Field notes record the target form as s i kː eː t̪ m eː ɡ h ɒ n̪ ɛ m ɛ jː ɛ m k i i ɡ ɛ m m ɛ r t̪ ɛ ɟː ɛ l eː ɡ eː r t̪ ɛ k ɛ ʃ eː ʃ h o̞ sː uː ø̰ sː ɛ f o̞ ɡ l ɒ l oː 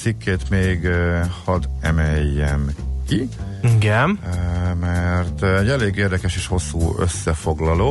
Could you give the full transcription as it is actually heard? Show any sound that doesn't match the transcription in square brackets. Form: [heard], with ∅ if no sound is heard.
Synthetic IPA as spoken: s i kː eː t̪ m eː ɡ h ɒ [d̪] ɛ m ɛ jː ɛ m k i i ɡ ɛ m m ɛ r t̪ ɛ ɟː ɛ l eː ɡ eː r [d̪] ɛ k ɛ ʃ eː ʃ h o̞ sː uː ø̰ sː ɛ f o̞ ɡ l ɒ l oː